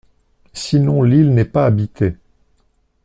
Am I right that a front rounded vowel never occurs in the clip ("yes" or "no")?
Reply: yes